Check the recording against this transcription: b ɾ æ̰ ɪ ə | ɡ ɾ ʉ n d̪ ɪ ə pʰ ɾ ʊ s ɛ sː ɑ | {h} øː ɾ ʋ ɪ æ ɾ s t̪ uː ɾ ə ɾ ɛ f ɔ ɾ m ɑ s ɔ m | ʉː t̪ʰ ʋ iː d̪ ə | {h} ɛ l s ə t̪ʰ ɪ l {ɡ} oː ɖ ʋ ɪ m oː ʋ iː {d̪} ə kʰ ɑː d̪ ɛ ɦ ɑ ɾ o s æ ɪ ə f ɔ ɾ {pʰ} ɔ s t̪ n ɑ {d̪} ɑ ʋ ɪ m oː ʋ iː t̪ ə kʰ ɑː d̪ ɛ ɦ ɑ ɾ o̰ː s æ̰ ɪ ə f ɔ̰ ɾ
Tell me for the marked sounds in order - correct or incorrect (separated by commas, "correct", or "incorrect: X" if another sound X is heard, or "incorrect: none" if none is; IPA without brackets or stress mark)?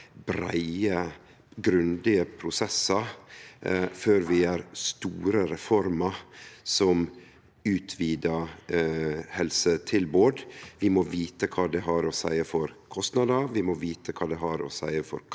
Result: incorrect: f, correct, incorrect: b, incorrect: t̪, incorrect: kʰ, correct